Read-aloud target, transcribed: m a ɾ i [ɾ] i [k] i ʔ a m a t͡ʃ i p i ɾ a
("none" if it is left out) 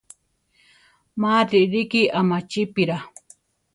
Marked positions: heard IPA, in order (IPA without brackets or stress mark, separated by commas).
ɾ, k